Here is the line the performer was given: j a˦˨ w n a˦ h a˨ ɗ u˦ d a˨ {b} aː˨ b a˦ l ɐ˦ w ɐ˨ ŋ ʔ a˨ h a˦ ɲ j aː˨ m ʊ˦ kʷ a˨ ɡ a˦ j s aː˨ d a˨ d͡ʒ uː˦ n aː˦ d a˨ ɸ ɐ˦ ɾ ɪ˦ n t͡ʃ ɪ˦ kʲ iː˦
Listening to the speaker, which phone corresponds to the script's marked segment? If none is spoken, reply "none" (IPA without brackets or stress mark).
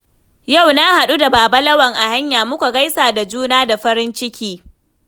b